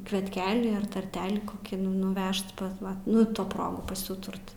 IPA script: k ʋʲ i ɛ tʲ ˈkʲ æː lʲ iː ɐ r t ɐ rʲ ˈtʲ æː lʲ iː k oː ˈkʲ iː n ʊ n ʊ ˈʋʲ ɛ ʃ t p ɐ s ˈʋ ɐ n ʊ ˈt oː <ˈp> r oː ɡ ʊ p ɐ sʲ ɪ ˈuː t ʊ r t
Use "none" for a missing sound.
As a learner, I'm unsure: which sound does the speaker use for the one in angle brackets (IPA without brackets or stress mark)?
p